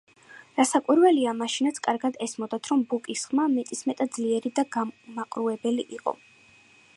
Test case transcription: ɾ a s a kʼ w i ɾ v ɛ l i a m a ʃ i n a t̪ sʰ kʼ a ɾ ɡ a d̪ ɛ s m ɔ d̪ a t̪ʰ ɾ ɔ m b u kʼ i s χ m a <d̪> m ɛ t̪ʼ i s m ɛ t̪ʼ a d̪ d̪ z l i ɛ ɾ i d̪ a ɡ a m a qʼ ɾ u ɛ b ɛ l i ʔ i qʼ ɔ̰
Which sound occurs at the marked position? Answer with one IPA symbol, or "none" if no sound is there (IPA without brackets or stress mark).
none